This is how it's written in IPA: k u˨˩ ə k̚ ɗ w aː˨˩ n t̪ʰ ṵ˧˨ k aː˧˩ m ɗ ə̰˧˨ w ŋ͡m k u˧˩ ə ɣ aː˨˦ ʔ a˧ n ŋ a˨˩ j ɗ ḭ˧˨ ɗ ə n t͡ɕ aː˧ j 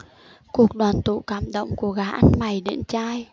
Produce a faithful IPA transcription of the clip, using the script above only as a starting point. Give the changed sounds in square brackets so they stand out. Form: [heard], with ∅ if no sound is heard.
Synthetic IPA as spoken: k u˨˩ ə k̚ ɗ w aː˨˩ n [t̪] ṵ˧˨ k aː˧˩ m ɗ ə̰˧˨ w ŋ͡m k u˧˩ ə ɣ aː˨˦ ʔ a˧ n [m] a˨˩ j ɗ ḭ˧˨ [∅] ə n t͡ɕ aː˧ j